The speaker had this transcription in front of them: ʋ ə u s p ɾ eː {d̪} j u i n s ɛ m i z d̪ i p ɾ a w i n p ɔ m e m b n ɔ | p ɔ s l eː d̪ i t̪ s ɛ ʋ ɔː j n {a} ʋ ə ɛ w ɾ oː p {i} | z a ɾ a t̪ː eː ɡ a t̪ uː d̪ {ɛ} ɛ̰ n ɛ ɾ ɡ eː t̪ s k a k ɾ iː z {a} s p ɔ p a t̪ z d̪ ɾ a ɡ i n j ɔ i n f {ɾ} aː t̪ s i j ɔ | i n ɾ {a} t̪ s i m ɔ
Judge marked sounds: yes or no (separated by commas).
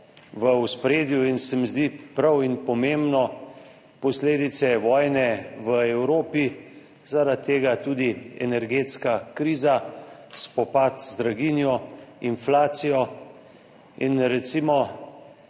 yes, no, yes, no, yes, no, no